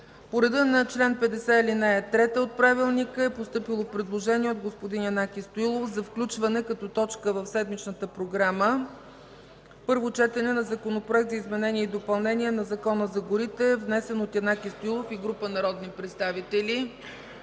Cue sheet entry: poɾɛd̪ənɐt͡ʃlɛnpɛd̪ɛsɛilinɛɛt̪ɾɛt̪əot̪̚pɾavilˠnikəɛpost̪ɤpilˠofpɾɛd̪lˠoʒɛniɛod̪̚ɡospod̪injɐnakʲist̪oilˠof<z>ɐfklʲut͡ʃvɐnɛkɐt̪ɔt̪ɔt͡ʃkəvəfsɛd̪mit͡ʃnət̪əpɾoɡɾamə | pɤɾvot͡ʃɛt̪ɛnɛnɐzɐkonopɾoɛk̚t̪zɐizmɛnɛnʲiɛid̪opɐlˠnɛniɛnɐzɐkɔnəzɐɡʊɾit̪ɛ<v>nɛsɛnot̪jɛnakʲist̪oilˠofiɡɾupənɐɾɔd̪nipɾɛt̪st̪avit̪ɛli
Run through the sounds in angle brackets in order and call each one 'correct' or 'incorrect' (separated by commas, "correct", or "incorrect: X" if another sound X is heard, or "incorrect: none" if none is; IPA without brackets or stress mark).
correct, correct